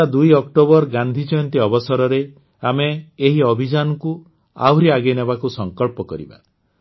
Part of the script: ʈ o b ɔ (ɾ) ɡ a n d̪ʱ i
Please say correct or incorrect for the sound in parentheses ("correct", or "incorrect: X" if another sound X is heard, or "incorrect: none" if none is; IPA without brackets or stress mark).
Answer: correct